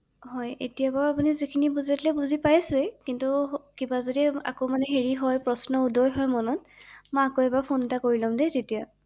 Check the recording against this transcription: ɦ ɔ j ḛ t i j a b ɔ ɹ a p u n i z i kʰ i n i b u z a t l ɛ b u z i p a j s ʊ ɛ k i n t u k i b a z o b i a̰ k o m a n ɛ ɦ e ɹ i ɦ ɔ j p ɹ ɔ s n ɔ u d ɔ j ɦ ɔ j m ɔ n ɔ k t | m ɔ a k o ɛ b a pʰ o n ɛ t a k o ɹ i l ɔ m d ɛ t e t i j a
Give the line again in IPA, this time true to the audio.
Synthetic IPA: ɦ ɔ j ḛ t i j a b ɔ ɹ a p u n i z i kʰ i n i b u z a t l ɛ b u z i p a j s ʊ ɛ k i n t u k i b a z o d i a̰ k o m a n ɛ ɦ e ɹ i ɦ ɔ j p ɹ ɔ s n ɔ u d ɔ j ɦ ɔ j m ɔ n ɔ t | m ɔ a k o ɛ b a pʰ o n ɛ t a k o ɹ i l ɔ m d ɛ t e t i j a